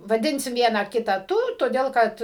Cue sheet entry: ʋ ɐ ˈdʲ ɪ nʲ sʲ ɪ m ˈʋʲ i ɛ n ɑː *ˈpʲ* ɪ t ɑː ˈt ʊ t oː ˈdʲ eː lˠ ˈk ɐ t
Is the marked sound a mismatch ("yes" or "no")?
yes